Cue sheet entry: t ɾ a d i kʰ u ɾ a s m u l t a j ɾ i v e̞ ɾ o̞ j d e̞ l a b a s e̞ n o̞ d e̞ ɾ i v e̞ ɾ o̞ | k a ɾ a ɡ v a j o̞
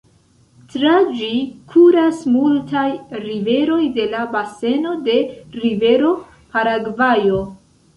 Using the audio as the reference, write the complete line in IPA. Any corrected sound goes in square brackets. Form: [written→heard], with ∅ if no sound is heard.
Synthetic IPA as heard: t ɾ a [d→d͡ʒ] i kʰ u ɾ a s m u l t a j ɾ i v e̞ ɾ o̞ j d e̞ l a b a s e̞ n o̞ d e̞ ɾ i v e̞ ɾ o̞ | [k→p] a ɾ a ɡ v a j o̞